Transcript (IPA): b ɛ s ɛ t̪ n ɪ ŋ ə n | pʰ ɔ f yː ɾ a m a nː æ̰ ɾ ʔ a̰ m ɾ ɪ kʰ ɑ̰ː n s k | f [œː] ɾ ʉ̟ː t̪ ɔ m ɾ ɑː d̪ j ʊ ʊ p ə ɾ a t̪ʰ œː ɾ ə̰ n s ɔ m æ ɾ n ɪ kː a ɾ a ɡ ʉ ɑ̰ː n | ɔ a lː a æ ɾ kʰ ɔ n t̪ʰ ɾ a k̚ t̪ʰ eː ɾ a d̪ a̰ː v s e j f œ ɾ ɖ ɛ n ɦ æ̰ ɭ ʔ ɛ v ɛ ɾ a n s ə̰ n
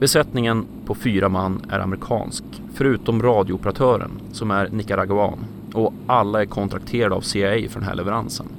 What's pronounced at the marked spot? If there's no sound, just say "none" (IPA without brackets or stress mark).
œ